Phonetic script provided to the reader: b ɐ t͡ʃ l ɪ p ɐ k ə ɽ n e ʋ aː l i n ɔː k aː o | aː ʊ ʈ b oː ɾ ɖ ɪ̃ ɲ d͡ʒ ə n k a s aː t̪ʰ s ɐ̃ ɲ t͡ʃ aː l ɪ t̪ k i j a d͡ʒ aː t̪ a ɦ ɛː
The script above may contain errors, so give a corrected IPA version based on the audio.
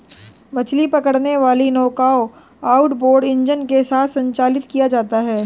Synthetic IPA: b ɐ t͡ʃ l i p ɐ k ə ɽ n e ʋ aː l i n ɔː k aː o | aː ʊ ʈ b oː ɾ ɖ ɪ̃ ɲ d͡ʒ ə n k e s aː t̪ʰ s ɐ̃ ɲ t͡ʃ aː l ɪ t̪ k i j a d͡ʒ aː t̪ a ɦ ɛː